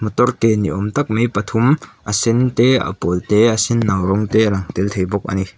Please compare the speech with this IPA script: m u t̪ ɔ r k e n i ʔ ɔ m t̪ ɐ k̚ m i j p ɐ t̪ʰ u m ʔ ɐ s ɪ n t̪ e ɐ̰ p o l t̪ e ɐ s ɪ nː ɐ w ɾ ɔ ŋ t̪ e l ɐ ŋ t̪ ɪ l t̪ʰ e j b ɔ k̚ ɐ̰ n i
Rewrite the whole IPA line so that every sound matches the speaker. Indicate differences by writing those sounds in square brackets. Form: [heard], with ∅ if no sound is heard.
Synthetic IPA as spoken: m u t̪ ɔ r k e n i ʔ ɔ m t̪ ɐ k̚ m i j p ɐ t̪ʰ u m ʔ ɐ s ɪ n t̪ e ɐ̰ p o l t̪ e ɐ s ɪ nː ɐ w ɾ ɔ ŋ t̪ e l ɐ ŋ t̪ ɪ l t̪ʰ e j b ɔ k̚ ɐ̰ n i